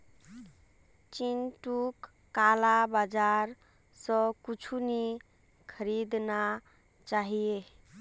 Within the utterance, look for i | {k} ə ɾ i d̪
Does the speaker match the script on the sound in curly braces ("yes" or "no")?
no